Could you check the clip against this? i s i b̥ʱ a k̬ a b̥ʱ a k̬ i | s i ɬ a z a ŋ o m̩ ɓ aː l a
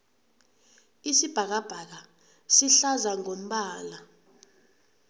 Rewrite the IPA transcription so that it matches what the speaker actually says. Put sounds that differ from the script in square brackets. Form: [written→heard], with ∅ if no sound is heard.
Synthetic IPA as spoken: i s i b̥ʱ a k̬ a b̥ʱ a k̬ [i→a] | s i ɬ a z a ŋ o m̩ ɓ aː l a